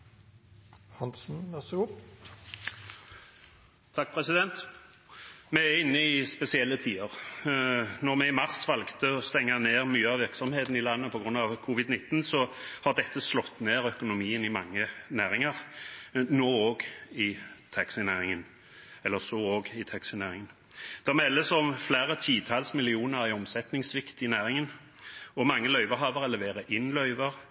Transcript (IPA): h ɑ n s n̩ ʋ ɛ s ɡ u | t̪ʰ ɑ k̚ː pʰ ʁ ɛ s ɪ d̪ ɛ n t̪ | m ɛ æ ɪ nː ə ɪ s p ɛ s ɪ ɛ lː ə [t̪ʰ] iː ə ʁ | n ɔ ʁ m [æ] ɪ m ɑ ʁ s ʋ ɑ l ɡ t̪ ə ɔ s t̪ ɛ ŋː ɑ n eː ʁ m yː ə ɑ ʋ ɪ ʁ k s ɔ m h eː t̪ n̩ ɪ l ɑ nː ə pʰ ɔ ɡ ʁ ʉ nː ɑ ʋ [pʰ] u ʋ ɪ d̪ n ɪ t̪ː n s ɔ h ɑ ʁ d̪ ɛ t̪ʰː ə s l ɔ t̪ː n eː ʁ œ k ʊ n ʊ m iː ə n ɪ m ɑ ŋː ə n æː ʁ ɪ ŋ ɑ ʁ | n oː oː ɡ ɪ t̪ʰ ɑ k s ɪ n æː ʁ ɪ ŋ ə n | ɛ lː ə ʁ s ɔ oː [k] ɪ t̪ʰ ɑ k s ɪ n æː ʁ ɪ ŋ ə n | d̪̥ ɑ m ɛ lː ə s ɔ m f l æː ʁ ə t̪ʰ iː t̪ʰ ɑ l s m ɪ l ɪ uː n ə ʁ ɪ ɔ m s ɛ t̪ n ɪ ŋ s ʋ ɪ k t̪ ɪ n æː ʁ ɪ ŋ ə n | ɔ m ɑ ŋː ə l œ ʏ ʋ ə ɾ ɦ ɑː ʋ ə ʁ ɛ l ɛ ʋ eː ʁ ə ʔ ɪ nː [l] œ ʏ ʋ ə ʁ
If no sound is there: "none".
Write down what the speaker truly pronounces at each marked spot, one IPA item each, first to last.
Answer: t̪ʰ, ɛ, kʰ, ɡ, l

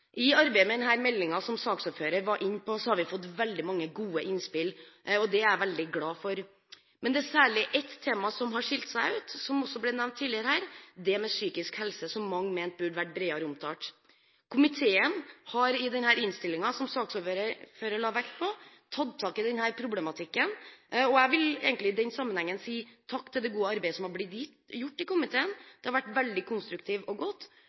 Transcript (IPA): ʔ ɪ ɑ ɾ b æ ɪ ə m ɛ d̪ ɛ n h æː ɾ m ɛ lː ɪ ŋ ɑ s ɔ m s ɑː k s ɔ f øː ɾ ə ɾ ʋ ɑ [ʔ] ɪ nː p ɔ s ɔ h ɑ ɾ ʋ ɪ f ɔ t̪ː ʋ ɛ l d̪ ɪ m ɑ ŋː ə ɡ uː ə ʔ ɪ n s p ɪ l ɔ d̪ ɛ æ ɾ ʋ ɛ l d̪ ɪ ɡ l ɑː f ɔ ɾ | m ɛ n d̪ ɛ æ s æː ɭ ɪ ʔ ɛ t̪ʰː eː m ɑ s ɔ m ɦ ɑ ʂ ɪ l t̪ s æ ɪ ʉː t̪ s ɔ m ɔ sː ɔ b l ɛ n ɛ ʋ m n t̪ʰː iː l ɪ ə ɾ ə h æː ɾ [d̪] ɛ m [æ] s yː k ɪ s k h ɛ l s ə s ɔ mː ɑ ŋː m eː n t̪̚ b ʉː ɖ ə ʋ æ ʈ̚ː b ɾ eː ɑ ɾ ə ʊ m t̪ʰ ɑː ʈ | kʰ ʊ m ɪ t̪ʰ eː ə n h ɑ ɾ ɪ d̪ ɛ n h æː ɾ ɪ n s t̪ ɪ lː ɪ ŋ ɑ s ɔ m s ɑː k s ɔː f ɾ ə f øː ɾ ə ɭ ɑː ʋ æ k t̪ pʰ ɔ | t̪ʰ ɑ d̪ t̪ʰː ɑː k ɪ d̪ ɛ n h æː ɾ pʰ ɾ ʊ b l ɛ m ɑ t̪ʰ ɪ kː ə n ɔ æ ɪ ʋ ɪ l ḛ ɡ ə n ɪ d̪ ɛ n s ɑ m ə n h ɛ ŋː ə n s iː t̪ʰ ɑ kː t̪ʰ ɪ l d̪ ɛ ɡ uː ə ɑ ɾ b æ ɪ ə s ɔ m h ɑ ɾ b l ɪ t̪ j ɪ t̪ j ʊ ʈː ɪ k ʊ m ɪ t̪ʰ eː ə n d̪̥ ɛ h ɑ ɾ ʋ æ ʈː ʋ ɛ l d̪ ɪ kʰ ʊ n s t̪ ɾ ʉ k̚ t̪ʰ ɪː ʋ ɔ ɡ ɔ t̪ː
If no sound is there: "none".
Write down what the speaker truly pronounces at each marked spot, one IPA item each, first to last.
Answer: ʔ, d̪, ɛ

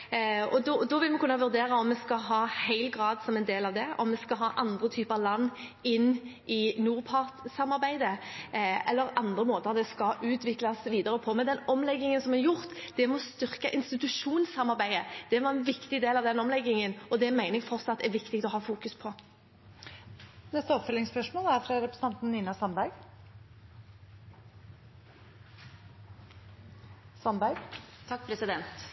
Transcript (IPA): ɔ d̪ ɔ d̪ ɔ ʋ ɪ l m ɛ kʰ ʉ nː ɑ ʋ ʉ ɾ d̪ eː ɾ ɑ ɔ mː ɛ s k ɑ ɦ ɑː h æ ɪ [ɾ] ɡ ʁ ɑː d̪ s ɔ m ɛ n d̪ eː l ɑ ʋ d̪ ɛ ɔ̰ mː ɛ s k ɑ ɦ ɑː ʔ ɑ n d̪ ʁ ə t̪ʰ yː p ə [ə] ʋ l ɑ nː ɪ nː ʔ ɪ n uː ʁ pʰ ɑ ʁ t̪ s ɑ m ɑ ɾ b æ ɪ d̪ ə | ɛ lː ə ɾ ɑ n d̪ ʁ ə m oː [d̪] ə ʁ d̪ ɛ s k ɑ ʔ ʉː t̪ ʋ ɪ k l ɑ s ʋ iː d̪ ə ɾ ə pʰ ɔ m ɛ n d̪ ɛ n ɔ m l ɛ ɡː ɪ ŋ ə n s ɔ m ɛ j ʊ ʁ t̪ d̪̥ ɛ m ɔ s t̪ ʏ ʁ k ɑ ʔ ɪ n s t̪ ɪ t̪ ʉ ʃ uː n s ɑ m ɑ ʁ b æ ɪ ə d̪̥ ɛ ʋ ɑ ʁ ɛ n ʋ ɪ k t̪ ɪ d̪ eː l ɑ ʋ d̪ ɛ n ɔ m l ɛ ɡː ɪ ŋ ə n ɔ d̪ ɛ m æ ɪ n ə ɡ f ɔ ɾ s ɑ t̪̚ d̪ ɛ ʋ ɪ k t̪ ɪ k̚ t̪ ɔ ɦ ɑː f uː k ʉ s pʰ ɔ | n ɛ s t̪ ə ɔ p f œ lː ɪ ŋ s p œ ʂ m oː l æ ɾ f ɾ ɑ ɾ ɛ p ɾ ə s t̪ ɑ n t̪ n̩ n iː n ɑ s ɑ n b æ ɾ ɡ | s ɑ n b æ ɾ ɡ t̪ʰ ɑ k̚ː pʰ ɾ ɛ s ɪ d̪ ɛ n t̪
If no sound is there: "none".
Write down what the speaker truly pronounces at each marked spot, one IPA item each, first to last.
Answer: l, ɑ, t̪

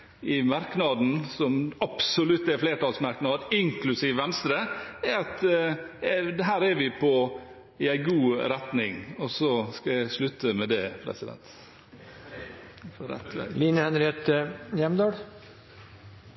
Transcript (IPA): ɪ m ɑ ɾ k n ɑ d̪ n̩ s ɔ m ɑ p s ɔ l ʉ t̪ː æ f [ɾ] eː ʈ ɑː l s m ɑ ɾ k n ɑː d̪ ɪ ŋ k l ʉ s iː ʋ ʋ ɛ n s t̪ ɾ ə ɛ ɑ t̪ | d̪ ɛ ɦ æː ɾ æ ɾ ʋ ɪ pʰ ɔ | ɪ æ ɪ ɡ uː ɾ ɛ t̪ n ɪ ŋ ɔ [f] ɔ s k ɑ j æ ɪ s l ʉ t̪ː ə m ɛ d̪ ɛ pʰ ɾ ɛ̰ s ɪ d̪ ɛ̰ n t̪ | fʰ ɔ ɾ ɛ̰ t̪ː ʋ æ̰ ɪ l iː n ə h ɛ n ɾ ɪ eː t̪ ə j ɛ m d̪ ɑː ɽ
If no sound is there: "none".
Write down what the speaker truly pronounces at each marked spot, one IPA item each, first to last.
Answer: l, s

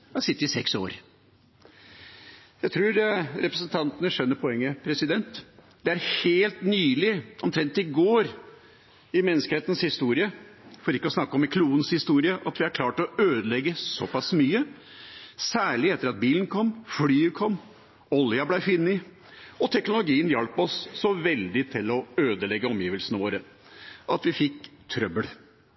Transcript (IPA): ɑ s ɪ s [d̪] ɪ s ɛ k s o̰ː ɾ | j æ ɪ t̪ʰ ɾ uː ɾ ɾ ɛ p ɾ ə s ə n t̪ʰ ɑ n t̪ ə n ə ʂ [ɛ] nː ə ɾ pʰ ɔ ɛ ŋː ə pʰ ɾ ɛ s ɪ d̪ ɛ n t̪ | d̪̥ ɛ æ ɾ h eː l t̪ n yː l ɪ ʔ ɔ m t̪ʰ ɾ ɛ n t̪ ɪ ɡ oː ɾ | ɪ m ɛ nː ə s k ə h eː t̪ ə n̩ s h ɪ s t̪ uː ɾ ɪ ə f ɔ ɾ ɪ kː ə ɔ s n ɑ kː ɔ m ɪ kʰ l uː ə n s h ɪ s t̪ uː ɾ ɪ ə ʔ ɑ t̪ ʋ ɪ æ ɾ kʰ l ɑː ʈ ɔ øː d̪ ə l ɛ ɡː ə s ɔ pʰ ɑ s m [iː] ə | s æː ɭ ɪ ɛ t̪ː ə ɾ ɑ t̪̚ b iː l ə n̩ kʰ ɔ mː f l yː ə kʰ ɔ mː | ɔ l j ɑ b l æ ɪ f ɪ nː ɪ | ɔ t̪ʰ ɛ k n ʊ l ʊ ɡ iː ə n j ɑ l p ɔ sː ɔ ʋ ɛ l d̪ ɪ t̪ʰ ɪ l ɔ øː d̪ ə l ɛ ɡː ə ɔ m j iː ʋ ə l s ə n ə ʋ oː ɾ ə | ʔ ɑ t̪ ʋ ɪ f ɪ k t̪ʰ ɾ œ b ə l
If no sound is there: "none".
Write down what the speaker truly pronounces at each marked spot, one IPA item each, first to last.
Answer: t̪, œ, yː

